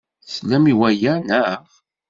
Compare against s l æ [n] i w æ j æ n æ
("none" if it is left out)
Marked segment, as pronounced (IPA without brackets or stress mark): m